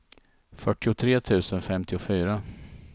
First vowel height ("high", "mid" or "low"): mid